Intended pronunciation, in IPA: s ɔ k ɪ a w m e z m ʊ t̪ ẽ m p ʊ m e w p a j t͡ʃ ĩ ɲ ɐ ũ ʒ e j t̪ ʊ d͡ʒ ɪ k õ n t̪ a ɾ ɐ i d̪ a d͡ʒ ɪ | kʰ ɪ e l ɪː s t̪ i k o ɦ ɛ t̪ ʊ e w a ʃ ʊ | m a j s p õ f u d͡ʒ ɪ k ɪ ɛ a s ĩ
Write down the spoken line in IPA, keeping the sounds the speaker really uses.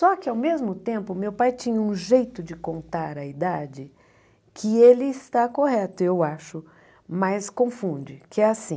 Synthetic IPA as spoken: s ɔ k ɪ a w m e z m ʊ t̪ ẽ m p ʊ m e w p a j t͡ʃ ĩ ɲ ɐ ũ ʒ e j t̪ ʊ d͡ʒ ɪ k õ n t̪ a ɾ ɐ i d̪ a d͡ʒ ɪ | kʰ ɪ e l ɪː s t̪ a k o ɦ ɛ t̪ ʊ e w a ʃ ʊ | m a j s k õ f ũ d͡ʒ ɪ k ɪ ɛ a s ĩ

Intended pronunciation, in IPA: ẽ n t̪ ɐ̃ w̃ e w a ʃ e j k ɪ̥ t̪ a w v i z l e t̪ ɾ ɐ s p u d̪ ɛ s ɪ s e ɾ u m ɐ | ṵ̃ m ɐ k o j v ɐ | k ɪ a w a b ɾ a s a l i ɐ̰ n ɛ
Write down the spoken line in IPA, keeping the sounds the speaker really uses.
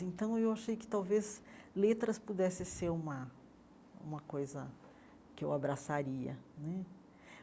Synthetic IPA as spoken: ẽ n t̪ ɐ̃ w̃ e w a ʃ e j k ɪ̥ t̪ a w v e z l e t̪ ɾ ɐ s p u d̪ ɛ s ɪ s e ɾ ũ m ɐ | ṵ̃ m ɐ k o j z ɐ | k ɪ e w a b ɾ a s a ɾ i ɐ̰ n ɛ

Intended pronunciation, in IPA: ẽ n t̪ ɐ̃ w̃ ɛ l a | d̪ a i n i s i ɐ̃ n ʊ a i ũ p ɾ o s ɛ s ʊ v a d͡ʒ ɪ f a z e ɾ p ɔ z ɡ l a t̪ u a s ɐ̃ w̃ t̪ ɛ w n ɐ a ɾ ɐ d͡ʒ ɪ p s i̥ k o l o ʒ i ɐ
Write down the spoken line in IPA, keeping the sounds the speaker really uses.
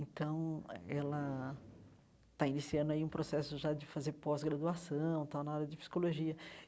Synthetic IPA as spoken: ẽ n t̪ ɐ̃ w̃ ɛ l ɐ | t̪ a i n i s i ɐ̃ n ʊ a i ũ p ɾ o s ɛ s ʊ ʒ a d͡ʒ ɪ f a z e ɾ p ɔ z ɡ ɾ a d̪ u a s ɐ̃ w̃ t̪ a w n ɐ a ɾ ɐ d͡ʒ ɪ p s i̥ k o l o ʒ i ɐ

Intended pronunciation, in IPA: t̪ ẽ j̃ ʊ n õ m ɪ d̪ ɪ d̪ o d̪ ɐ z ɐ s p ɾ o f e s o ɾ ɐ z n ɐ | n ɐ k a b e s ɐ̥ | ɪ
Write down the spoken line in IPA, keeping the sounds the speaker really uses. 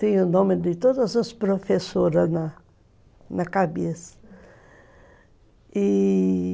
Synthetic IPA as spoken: t̪ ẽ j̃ ʊ n õ m ɪ d̪ ɪ t̪ o d̪ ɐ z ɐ s p ɾ o f e s o ɾ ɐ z n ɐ | n ɐ k a b e s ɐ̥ | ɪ

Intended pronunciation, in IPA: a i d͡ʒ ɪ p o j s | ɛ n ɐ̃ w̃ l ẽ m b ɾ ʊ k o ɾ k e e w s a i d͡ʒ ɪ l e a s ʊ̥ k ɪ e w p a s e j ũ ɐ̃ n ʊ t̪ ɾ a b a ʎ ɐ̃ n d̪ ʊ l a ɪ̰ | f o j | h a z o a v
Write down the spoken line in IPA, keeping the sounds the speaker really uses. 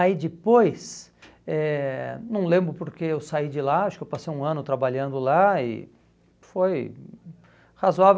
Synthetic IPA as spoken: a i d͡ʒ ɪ p o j s | ɛ n ɐ̃ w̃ l ẽ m b ɾ ʊ p o ɾ k e e w s a i d͡ʒ ɪ l a a ʃ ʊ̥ k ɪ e w p a s e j ũ ɐ̃ n ʊ t̪ ɾ a b a ʎ ɐ̃ n d̪ ʊ l a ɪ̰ | f o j | h a z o a v

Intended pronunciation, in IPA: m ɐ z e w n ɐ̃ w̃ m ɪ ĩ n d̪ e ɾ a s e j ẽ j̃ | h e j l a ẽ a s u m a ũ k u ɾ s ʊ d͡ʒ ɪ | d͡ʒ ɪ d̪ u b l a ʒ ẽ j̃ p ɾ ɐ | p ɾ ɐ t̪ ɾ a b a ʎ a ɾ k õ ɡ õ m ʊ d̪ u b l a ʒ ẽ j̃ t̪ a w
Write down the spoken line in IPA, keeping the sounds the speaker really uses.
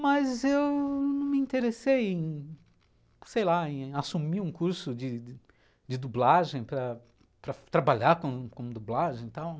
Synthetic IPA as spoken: m ɐ z e w n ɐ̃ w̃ m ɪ ĩ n t̪ e ɾ e s e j ẽ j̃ | s e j l a ẽ a s u m i ũ k u ɾ s ʊ d͡ʒ ɪ | d͡ʒ ɪ d̪ u b l a ʒ ẽ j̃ p ɾ ɐ | p ɾ ɐ t̪ ɾ a b a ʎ a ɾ k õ k õ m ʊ d̪ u b l a ʒ ẽ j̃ t̪ a w

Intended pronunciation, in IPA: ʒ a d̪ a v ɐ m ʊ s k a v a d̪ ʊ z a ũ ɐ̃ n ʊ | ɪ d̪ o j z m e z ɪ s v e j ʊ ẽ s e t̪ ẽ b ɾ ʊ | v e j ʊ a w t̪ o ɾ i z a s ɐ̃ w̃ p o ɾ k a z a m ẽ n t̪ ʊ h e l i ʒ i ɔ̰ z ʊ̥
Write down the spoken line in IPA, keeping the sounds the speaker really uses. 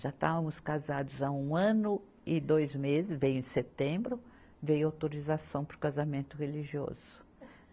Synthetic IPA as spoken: ʒ a t̪ a v ɐ m ʊ s k a z a d̪ ʊ z a ũ ɐ̃ n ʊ | ɪ d̪ o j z m e z ɪ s v e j ʊ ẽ s e t̪ ẽ b ɾ ʊ | v e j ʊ a w t̪ o ɾ i z a s ɐ̃ w̃ p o ɾ k a z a m ẽ n t̪ ʊ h e l i ʒ i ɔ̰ z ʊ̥

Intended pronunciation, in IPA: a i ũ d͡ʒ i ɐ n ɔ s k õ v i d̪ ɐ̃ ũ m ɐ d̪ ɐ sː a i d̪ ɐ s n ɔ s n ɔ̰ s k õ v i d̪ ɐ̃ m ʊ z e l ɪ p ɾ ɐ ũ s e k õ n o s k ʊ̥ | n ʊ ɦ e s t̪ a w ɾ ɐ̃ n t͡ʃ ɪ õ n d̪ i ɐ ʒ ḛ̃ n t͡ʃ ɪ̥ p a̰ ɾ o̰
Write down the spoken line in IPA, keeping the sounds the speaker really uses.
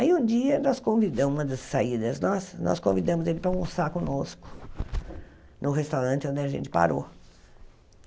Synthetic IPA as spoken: a i ũ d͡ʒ i ɐ n ɔ s k õ v i d̪ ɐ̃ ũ m ɐ d̪ ɐ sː a i d̪ ɐ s n ɔ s n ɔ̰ s k õ v i d̪ ɐ̃ m ʊ z e l ɪ p ɾ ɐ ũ s a k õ n o s k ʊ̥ | n ʊ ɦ e s t̪ a w ɾ ɐ̃ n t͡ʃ ɪ õ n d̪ ɪ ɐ ʒ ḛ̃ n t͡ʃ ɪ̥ p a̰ ɾ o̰

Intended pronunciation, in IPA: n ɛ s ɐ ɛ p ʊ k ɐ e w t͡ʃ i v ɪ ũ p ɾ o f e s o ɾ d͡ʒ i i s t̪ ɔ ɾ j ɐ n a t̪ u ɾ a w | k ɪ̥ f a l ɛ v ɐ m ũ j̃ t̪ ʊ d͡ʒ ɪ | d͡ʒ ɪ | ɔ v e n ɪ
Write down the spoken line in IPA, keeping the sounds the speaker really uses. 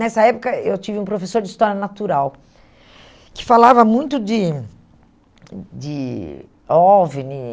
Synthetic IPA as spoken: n ɛ s ɐ ɛ p ʊ k ɐ e w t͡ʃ i v ɪ ũ p ɾ o f e s o ɾ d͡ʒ ɪ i s t̪ ɔ ɾ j ɐ n a t̪ u ɾ a w | k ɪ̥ f a l a v ɐ m ũ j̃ t̪ ʊ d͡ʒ ɪ | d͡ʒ ɪ | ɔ v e n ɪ

